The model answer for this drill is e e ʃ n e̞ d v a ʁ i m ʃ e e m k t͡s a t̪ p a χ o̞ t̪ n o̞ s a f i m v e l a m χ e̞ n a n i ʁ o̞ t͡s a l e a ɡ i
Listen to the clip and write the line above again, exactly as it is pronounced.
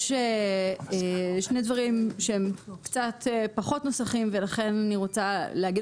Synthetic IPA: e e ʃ n e̞ d v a ʁ i m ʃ e e m k t͡s a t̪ p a χ o̞ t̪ n o̞ s a χ i m v e l a χ e̞ n a n i ʁ o̞ t͡s a l e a ɡ i